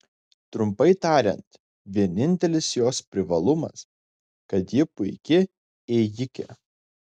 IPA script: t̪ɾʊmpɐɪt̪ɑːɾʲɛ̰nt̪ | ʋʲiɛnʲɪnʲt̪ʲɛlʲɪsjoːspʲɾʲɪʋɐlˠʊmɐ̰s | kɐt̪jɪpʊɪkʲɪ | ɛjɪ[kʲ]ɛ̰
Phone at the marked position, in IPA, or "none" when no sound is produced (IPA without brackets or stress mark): kʲ